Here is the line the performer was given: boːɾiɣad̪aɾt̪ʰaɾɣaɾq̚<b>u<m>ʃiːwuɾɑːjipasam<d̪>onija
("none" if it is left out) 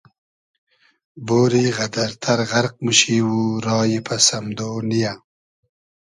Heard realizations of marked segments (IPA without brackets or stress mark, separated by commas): m, none, d̪